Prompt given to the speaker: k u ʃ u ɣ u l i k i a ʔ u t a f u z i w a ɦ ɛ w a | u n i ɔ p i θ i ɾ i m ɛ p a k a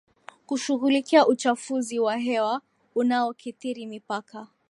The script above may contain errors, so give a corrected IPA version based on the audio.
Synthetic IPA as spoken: k u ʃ u ɣ u l i k i a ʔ u t͡ʃ a f u z i w a ɦ ɛ w a | u n a ɔ k i θ i ɾ i m i p a k a